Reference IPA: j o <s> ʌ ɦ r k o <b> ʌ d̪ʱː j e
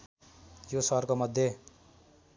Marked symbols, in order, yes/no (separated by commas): yes, no